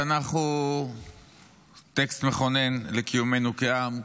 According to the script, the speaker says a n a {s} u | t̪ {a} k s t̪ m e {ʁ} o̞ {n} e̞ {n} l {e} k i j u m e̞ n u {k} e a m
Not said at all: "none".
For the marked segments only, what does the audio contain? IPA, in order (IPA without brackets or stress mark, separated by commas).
χ, e, χ, n, n, e, k